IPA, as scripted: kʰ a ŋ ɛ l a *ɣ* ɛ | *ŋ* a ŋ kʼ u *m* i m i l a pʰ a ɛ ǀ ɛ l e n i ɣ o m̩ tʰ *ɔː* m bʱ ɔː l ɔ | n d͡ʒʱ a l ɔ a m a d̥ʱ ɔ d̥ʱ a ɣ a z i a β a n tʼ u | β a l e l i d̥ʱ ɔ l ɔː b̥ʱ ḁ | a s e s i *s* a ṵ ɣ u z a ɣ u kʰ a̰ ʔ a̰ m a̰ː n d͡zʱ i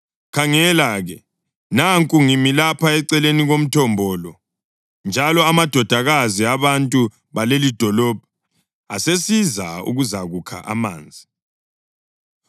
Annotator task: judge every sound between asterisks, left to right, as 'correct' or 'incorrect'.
correct, incorrect: n, incorrect: ŋ, incorrect: ɔ, incorrect: z

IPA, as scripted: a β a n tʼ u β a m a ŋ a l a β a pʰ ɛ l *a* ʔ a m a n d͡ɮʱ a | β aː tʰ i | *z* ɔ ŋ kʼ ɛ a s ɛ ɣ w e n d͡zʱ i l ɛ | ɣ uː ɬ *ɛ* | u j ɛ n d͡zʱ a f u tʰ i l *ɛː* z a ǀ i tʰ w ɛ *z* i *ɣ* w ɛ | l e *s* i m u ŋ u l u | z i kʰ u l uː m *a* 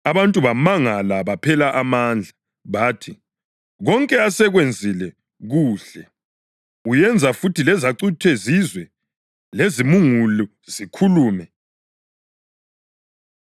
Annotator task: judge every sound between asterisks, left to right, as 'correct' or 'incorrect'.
correct, incorrect: ɣ, correct, incorrect: ɛ, correct, incorrect: z, incorrect: z, incorrect: ɛ

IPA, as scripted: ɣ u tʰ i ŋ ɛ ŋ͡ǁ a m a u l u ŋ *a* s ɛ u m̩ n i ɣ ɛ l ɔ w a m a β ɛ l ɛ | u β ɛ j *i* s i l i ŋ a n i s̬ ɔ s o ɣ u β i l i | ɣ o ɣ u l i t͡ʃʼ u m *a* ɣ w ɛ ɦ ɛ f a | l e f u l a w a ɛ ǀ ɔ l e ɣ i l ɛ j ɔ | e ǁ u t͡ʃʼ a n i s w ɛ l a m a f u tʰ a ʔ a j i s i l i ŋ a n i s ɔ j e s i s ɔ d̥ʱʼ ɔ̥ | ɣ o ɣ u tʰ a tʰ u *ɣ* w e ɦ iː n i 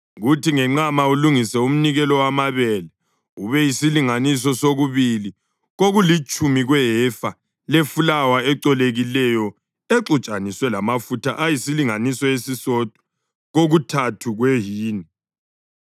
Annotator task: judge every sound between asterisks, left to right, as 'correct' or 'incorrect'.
incorrect: i, correct, incorrect: i, correct

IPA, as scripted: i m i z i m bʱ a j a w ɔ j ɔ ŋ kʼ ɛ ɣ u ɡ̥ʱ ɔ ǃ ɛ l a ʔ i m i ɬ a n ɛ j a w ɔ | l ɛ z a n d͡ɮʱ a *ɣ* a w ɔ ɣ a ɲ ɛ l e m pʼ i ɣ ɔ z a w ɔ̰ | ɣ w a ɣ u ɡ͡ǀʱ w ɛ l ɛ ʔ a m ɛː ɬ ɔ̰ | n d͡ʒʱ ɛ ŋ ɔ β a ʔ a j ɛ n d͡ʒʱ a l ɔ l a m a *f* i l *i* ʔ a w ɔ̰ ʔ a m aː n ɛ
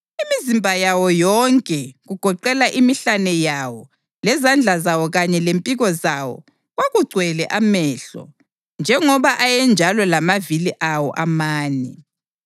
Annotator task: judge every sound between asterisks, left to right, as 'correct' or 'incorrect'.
incorrect: z, incorrect: v, correct

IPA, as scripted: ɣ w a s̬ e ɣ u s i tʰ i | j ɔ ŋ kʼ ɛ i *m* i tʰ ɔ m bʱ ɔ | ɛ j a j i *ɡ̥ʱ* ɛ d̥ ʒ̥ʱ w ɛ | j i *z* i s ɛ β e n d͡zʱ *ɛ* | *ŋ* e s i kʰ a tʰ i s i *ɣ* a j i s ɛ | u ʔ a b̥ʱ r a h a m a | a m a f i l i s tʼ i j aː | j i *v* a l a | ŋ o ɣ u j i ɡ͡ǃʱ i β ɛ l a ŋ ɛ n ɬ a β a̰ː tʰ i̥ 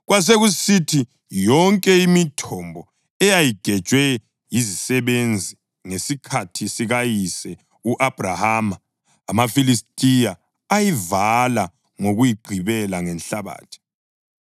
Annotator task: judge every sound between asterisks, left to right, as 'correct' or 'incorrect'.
correct, correct, correct, incorrect: i, correct, correct, correct

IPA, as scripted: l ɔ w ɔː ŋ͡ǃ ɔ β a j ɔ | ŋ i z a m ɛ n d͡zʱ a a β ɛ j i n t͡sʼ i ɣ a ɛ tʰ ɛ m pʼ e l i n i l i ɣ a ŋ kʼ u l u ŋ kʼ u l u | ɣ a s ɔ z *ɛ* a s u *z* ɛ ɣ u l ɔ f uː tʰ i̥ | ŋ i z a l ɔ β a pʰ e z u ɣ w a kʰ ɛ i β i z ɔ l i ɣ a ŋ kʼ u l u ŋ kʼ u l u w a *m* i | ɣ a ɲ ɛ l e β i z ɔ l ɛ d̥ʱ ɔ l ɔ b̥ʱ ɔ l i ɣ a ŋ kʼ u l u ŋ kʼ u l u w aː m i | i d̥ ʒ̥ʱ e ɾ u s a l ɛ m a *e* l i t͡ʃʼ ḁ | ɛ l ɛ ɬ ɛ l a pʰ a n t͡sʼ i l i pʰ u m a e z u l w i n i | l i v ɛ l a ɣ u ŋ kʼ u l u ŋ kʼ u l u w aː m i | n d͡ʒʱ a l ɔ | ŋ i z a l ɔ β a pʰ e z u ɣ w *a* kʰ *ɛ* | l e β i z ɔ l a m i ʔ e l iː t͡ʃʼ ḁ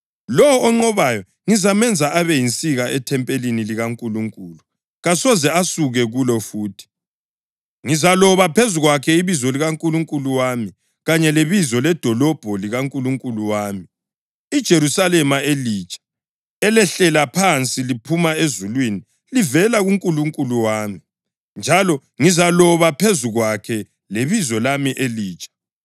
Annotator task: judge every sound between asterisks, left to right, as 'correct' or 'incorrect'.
correct, incorrect: ɣ, correct, correct, correct, correct

